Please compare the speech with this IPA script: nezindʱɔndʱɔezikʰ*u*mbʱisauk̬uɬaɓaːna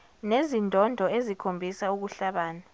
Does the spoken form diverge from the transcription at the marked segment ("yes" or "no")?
yes